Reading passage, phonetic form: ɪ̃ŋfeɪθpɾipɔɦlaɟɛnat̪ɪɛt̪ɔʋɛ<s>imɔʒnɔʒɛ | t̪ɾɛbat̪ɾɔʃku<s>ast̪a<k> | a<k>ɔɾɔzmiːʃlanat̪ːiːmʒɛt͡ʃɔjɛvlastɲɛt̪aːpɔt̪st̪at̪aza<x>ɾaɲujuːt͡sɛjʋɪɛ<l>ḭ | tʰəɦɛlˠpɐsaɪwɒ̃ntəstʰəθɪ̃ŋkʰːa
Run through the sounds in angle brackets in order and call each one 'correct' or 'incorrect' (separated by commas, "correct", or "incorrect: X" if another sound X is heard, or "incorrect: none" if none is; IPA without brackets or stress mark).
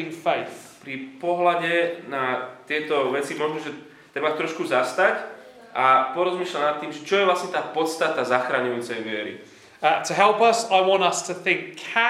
incorrect: t͡s, incorrect: z, incorrect: c, incorrect: p, correct, incorrect: ɾ